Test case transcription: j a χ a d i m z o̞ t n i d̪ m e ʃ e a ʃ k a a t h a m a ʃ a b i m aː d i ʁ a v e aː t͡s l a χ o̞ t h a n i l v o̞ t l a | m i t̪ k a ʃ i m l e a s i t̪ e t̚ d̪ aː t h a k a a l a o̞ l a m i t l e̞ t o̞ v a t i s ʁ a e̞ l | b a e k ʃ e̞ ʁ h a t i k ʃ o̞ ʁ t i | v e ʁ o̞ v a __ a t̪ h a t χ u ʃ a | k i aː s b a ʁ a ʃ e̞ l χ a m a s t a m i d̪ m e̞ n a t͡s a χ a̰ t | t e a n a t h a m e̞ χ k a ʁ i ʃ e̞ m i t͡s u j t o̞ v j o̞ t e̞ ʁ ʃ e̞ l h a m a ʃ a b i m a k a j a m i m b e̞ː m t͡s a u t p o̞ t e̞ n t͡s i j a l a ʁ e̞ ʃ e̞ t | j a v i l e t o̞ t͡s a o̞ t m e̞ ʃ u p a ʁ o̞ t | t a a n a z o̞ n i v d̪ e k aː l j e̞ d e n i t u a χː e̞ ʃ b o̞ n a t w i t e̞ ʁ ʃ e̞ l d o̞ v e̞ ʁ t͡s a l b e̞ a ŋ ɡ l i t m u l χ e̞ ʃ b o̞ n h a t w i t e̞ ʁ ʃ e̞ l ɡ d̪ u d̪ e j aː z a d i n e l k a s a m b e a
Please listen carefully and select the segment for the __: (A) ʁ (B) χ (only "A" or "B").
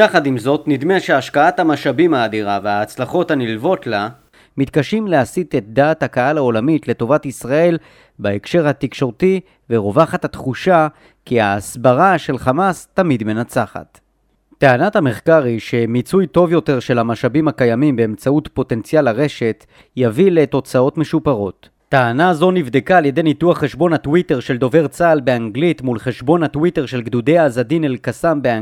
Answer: B